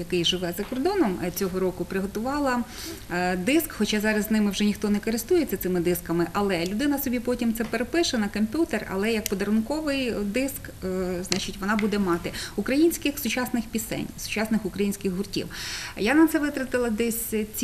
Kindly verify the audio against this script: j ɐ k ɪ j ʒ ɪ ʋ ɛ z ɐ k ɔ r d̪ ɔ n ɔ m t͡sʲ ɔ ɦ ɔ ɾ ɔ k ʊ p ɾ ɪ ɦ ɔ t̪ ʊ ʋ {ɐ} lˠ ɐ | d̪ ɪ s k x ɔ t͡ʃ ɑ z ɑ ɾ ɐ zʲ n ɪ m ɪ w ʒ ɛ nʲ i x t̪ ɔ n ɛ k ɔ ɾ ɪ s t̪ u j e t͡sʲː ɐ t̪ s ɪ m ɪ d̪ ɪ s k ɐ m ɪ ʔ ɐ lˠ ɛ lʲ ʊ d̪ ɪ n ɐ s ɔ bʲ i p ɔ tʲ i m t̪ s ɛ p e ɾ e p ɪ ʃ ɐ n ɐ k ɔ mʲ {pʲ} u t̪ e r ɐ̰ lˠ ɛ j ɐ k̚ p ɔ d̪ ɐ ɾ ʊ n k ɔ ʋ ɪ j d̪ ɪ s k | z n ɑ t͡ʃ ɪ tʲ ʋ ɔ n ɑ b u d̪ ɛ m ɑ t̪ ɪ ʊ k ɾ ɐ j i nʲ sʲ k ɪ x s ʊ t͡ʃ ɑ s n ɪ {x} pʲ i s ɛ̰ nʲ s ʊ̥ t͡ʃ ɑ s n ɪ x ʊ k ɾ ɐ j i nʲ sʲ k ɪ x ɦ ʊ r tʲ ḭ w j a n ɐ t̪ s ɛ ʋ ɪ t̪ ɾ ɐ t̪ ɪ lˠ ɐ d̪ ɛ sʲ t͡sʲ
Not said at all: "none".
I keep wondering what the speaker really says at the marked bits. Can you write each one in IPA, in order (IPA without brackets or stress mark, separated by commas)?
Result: ɑ, pʲ, x